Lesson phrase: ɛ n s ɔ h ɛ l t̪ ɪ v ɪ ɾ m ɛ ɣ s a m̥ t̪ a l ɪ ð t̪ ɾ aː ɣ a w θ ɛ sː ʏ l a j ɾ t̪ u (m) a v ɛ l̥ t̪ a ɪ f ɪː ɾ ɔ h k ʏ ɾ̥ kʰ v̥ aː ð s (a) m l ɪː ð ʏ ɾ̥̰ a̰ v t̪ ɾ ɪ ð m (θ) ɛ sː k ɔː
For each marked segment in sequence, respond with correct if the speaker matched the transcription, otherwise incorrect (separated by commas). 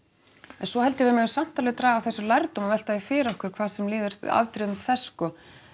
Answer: correct, incorrect, correct